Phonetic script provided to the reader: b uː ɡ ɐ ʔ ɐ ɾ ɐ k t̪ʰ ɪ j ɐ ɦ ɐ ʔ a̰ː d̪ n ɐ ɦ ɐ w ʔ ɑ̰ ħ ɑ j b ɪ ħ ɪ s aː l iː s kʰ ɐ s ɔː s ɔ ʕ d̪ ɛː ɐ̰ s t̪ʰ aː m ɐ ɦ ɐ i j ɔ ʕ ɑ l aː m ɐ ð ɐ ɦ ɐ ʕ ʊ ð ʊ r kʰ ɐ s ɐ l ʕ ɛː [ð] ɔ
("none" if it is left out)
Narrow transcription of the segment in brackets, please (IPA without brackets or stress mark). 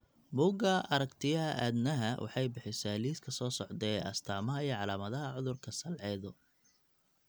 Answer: ð